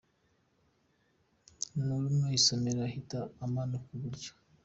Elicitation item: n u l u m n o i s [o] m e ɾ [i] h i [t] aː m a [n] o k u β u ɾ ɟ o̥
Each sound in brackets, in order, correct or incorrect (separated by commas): correct, incorrect, correct, correct